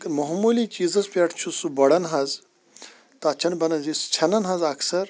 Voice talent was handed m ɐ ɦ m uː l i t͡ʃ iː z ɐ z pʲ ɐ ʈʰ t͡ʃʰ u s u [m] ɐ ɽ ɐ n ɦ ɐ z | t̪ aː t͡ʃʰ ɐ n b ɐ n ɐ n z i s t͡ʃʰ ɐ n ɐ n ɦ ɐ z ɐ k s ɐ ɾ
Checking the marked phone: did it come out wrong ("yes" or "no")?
yes